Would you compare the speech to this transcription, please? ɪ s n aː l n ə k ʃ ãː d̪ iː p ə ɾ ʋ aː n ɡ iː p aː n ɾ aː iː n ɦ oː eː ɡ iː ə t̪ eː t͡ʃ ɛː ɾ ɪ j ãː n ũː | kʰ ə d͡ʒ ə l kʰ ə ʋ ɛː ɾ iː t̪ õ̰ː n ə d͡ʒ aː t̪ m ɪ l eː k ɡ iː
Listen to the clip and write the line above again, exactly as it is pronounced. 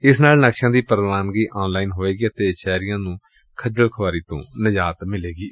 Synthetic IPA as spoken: ɪ s n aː l n ə k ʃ ãː d̪ iː p ə ɾ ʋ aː n ɡ iː ʔ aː n l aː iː n ɦ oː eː ɡ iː ə t̪ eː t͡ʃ ɛː ɾ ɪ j ãː n ũː | kʰ ə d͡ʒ ə l kʰ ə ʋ aː ɾ iː t̪ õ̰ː n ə d͡ʒ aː t̪ m ɪ l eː ɡ iː